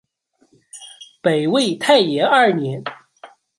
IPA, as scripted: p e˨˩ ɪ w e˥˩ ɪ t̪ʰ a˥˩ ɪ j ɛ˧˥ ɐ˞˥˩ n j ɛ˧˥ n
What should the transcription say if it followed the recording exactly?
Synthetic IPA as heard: p e˨˩ ɪ w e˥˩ ɪ t̪ʰ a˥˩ ɪ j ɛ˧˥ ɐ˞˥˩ n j ɛ˧˥ n